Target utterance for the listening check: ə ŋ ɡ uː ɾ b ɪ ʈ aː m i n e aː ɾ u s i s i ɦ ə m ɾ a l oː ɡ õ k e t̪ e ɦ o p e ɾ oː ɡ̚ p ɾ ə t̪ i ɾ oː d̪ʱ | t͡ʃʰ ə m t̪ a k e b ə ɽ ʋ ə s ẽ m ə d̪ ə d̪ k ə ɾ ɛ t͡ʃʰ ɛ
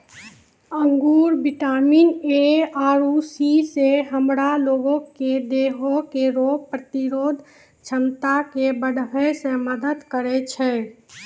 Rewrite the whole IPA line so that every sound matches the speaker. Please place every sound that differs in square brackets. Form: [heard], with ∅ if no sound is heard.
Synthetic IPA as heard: ə ŋ ɡ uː ɾ b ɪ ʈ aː m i n e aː ɾ u s i s [e] ɦ ə m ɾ a l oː ɡ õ k e [d̪] e ɦ o [k] e ɾ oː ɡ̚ p ɾ ə t̪ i ɾ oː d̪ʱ | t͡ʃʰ ə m t̪ a k e b ə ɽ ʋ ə s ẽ m ə d̪ ə d̪ k ə ɾ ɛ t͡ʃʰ ɛ